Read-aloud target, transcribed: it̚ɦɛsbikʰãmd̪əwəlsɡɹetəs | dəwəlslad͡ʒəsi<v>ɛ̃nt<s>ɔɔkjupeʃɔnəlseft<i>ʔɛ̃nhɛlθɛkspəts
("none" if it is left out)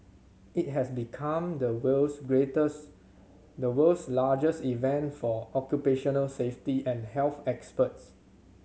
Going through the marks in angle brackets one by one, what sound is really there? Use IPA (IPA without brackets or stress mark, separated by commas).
v, f, i